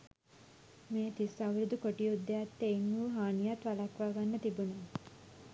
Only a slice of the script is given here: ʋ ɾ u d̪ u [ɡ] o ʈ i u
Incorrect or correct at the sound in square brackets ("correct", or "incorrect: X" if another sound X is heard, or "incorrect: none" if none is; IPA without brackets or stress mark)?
incorrect: k